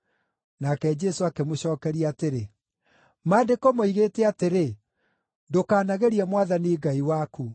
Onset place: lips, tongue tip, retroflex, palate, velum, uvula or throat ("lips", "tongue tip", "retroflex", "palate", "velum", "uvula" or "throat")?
tongue tip